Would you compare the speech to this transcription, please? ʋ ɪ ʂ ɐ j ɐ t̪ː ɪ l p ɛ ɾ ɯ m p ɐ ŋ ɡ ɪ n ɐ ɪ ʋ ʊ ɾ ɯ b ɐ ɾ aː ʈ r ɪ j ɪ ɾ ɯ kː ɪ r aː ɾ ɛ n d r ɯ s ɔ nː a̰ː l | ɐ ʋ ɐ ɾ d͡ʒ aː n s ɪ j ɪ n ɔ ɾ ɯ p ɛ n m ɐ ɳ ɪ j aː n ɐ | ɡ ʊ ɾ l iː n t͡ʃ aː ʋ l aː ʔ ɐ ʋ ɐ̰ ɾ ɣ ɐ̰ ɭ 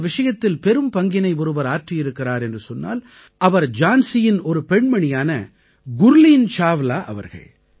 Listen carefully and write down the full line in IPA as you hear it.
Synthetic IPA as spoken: ʋ ɪ ʂ ɐ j ɐ t̪ː ɪ l p ɛ ɾ ɯ m p ɐ ŋ ɡ ɪ n ɐ ɪ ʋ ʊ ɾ ɯ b ɐ ɾ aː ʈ r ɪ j ɪ ɾ ɯ kː ɪ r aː ɾ ɛ n d r ɯ s ɔ nː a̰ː l | ɐ ʋ ɐ ɾ d͡ʒ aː n s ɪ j ɪ n ɔ ɾ ɯ p ɛ ɳ m ɐ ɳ ɪ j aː n ɐ | ɡ ʊ ɾ l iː n t͡ʃ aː ʋ l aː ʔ ɐ ʋ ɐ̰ ɾ ɣ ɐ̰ ɭ

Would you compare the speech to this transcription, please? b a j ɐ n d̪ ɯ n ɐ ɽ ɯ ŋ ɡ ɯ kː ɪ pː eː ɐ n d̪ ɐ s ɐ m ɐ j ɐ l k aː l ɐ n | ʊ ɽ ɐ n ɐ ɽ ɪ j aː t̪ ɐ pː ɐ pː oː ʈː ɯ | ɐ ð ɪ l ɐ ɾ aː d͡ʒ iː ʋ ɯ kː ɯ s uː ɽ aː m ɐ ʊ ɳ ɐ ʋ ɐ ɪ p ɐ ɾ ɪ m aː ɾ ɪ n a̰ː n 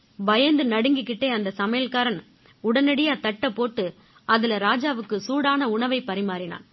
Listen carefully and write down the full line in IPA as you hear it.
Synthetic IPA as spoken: b ɐ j ɐ n d̪ ɯ n ɐ ɽ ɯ ŋ ɡ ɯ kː ɪ ʈː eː ɐ n d̪ ɐ s ɐ m ɐ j ɐ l k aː ɾ ɐ n | ʊ ɽ ɐ n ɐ ɽ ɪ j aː t̪ ɐ ʈː ɐ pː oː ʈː ɯ | ɐ ð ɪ l ɐ ɾ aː d͡ʒ aː ʋ ɯ kː ɯ s uː ɽ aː n ɐ ʊ ɳ ɐ ʋ ɐ ɪ p ɐ ɾ ɪ m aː ɾ ɪ n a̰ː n

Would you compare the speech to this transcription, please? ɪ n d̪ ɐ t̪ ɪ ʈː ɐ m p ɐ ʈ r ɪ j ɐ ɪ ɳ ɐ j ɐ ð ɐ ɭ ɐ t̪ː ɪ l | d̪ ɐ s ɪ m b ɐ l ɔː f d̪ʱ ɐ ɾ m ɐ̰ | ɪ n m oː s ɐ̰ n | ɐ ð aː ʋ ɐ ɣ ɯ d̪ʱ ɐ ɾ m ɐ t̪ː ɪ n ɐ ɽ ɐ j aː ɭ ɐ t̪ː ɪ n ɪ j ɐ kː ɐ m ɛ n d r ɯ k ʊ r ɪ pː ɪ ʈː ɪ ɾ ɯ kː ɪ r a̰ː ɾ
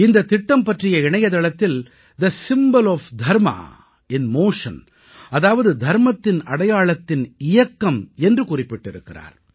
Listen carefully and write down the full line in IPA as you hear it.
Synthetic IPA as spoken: ɪ n d̪ ɐ t̪ ɪ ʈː ɐ m p ɐ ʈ r ɪ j ɐ ɪ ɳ ɐ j ɐ ð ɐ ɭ ɐ t̪ː ɪ l | d̪ ɐ s ɪ m b ɐ l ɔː f d̪ʱ ɐ ɾ m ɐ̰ | ɪ n m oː ʂ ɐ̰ n | ɐ ð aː ʋ ɐ ð ɯ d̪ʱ ɐ ɾ m ɐ t̪ː ɪ n ɐ ɽ ɐ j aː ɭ ɐ t̪ː ɪ n ɪ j ɐ kː ɐ m ɛ n d r ɯ k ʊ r ɪ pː ɪ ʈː ɪ ɾ ɯ kː ɪ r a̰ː ɾ

